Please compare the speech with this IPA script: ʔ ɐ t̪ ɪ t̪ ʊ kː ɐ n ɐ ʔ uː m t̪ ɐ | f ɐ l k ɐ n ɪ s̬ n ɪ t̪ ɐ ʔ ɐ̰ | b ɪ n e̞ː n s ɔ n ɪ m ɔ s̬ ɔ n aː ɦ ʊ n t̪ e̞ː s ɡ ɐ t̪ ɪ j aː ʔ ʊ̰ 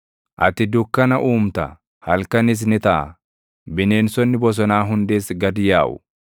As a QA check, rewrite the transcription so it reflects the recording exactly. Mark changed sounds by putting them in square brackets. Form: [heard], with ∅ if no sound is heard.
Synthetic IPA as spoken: ʔ ɐ t̪ ɪ [d̪] ʊ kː ɐ n ɐ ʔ uː m t̪ ɐ | [h] ɐ l k ɐ n ɪ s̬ n ɪ t̪ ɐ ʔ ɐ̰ | b ɪ n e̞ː n s ɔ [nː] ɪ [b] ɔ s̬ ɔ n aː ɦ ʊ n [d̪] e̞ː s ɡ ɐ [d̪] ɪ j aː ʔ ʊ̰